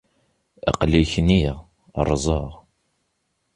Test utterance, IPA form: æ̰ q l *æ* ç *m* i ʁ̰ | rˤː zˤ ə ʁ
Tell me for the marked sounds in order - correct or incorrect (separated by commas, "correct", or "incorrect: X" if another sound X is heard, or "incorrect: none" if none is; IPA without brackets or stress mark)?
incorrect: i, incorrect: n